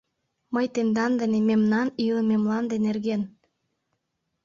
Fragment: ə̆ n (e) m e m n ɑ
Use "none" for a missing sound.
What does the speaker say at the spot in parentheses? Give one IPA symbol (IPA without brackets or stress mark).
e